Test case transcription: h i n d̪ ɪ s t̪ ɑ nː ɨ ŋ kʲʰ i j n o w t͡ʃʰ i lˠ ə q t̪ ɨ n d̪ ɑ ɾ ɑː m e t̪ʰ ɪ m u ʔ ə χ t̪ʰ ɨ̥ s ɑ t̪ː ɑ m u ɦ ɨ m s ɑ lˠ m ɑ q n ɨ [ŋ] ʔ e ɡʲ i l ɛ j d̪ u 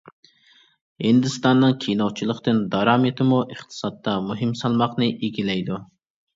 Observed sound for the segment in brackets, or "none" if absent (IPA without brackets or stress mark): none